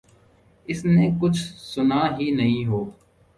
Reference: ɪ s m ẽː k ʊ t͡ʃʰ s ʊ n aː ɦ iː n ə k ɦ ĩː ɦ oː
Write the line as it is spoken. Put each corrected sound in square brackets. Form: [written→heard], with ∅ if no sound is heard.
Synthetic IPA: ɪ s [m→n] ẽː k ʊ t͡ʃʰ s ʊ n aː ɦ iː n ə [k→∅] ɦ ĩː ɦ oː